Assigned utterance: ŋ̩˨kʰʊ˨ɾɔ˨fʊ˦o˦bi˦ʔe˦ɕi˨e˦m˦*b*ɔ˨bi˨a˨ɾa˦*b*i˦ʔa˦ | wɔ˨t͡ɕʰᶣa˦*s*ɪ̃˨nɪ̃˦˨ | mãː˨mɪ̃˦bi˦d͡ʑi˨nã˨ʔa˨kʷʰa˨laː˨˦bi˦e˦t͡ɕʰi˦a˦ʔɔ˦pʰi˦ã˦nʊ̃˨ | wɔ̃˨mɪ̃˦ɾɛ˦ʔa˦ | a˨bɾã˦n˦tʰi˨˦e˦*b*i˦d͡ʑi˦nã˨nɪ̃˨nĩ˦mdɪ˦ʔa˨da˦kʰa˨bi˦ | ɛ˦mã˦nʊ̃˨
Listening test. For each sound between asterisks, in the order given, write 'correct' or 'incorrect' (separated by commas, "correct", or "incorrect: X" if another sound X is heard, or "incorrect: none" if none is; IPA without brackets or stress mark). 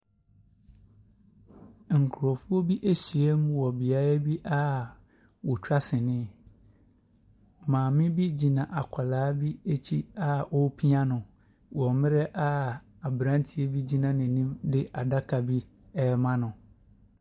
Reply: incorrect: w, correct, correct, correct